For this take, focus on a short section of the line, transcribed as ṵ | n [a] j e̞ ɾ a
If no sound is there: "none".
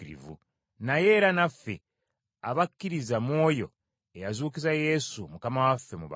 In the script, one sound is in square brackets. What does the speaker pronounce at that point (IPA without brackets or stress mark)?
a